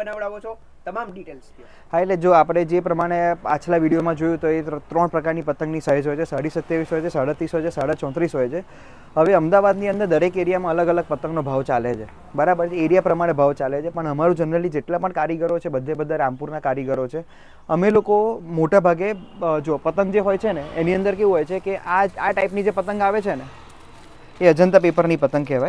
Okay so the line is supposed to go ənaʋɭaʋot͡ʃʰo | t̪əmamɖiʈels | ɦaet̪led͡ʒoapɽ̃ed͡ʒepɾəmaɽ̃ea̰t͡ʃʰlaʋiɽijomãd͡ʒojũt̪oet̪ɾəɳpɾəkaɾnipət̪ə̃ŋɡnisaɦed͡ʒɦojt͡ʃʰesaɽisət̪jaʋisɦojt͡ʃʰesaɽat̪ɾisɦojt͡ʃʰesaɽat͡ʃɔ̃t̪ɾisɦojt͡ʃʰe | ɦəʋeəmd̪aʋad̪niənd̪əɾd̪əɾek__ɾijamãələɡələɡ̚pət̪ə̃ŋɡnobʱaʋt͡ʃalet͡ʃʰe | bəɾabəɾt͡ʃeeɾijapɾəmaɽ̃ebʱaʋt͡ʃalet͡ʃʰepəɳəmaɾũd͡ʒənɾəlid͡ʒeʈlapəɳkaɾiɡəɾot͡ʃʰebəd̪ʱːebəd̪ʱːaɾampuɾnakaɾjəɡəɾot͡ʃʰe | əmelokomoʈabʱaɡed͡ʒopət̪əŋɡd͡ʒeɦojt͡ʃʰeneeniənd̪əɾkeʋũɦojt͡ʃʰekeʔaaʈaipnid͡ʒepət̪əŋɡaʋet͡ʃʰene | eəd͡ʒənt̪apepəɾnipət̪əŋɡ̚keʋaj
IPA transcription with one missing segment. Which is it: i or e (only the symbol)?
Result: e